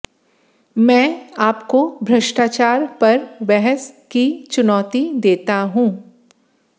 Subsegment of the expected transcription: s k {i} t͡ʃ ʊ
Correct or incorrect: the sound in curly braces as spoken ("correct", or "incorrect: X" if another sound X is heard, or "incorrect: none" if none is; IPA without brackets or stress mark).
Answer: correct